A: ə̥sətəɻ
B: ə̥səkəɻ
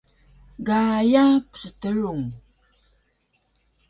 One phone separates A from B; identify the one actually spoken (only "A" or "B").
A